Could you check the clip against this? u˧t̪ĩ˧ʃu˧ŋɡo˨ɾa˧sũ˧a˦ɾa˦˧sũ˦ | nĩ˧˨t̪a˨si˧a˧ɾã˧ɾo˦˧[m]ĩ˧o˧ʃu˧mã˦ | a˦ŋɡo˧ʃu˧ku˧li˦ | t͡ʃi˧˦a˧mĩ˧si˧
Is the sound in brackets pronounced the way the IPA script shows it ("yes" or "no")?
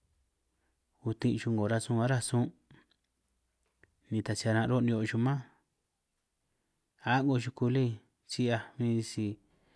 no